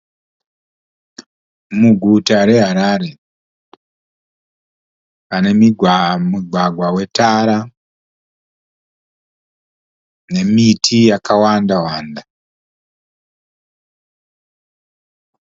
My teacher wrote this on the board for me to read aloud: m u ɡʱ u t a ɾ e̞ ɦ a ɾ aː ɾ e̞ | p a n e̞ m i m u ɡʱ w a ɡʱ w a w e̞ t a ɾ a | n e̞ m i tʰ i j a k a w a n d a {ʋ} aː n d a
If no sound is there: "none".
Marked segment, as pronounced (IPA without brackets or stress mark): w